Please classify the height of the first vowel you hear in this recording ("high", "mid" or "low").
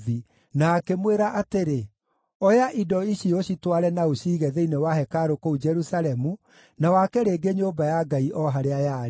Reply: high